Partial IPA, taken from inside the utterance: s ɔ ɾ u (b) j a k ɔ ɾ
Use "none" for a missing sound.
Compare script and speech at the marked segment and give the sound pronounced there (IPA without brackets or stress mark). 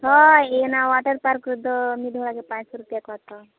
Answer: p